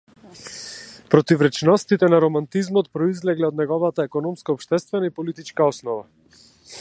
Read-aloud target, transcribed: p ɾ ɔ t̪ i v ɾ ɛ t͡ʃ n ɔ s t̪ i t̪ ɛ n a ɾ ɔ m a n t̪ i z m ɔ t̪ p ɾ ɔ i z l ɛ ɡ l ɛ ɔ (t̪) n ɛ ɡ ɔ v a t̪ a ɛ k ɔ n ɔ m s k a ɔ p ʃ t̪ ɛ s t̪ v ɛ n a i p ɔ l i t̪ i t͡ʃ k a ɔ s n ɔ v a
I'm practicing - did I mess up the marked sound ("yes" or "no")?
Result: yes